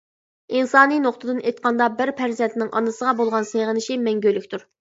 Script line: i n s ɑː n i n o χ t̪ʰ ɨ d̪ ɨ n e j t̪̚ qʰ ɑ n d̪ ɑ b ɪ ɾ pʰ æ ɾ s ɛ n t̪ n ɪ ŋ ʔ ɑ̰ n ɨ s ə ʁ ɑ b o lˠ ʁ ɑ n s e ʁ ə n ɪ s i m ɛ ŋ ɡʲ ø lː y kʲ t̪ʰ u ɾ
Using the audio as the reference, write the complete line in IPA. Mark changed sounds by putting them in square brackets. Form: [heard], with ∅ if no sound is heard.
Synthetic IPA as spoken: i n s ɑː n i n o χ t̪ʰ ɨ d̪ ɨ n e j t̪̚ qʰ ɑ n d̪ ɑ b ɪ ɾ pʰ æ ɾ [z] ɛ n t̪ n ɪ ŋ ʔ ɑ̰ n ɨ s ə ʁ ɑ b o lˠ ʁ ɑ n s e ʁ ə n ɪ [ʃ] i m ɛ ŋ ɡʲ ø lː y kʲ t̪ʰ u ɾ